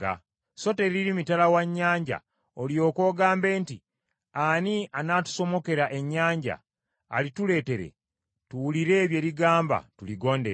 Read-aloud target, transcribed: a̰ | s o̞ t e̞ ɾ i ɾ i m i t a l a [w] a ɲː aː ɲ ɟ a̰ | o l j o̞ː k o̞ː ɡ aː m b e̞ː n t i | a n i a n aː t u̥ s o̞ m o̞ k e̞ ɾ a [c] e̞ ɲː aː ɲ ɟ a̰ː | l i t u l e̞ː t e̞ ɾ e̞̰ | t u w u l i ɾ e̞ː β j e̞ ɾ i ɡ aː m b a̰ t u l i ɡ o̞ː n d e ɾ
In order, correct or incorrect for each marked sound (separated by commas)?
correct, incorrect